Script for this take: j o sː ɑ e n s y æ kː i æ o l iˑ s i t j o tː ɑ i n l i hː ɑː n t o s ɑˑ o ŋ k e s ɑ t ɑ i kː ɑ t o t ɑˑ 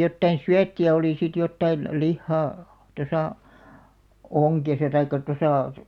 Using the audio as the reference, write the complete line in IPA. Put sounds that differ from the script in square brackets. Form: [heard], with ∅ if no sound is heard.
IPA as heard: j o [tː] ɑ [i] n s y æ [tː] i æ o l iˑ s i t j o tː ɑ i n l i hː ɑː [∅] t o s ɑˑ o ŋ k e s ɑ t ɑ i kː ɑ t o [s] ɑˑ